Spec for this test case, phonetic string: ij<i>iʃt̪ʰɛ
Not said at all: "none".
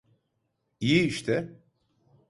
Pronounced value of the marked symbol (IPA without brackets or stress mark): i